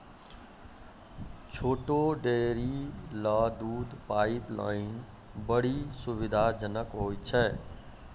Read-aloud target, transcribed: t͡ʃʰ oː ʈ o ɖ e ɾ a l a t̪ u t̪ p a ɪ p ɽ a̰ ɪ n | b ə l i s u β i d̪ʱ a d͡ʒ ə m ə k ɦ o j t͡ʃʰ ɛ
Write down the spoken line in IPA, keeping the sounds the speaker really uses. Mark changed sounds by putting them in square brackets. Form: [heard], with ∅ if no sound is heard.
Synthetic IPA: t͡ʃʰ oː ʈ o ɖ e ɾ [i] l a [d̪] u [d̪] p a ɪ p [l] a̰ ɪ n | b ə [ɽ] i s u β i d̪ʱ a d͡ʒ ə [n] ə k ɦ o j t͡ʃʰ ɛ